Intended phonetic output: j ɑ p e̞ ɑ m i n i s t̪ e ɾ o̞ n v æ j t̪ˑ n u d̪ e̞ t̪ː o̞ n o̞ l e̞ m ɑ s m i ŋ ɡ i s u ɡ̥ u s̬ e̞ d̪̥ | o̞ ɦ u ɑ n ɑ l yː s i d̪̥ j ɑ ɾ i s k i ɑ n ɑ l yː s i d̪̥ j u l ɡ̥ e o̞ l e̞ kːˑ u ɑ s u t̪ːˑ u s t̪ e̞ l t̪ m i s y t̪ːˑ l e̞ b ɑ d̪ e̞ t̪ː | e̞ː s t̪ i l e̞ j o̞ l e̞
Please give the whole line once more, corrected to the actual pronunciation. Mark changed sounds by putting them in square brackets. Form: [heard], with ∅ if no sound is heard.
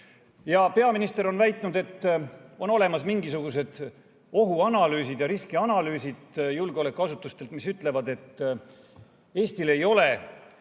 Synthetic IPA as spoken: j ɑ p e̞ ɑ m i n i s t̪ e ɾ o̞ n v æ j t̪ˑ n u d̪ e̞ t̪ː o̞ n o̞ l e̞ m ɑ s m i ŋ ɡ i s u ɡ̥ u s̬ e̞ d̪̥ | o̞ ɦ u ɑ n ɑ l yː s i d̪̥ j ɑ ɾ i s k i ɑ n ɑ l yː s i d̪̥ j u l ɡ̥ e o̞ l e̞ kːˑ u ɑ s u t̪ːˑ u s t̪ e̞ l t̪ m i s y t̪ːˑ l e̞ [v] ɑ d̪ e̞ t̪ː | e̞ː s t̪ i l e̞ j o̞ l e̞